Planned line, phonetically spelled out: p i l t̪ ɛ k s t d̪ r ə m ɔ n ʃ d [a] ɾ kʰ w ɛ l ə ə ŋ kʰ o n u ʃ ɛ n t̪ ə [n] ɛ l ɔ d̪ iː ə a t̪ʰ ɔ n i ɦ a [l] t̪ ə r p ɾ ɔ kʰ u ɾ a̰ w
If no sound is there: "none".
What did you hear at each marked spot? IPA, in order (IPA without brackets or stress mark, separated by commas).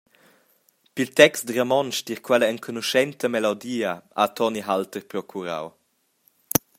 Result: i, m, l